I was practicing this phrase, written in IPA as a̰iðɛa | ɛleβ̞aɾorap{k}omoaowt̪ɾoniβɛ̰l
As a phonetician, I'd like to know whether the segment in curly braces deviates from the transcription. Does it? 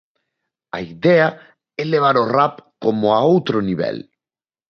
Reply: no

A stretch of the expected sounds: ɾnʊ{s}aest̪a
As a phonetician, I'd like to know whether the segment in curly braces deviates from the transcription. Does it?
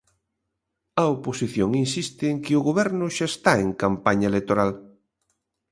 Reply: yes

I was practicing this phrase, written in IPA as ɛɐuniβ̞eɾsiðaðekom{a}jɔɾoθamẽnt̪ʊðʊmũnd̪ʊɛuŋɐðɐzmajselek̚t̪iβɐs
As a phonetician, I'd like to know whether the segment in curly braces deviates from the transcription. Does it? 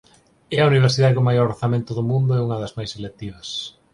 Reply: no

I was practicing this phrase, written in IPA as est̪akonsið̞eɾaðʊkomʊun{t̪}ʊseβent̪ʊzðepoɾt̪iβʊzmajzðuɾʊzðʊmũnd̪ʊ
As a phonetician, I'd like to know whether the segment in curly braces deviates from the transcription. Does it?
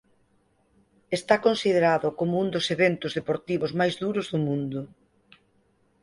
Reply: yes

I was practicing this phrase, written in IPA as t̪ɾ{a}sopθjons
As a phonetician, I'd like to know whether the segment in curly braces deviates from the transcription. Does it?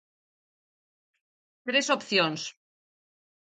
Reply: yes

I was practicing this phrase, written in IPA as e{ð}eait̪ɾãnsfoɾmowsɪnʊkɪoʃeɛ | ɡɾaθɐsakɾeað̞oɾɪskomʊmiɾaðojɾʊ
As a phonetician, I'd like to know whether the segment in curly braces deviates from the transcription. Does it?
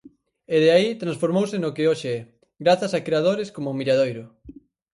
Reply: no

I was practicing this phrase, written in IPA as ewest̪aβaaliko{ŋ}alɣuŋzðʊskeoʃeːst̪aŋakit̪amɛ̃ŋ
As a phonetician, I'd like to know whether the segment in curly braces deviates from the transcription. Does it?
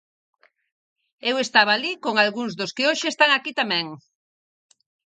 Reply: no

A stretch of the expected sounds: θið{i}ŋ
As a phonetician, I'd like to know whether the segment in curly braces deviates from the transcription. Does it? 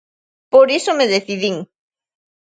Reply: no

